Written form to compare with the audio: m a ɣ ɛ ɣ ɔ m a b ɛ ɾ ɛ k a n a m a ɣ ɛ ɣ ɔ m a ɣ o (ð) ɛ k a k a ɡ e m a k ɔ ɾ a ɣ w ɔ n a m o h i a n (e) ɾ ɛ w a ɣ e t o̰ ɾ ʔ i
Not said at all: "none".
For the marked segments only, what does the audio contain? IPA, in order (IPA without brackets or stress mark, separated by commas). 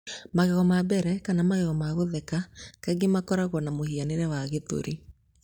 ð, e